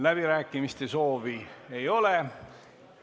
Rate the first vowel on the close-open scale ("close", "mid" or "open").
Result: open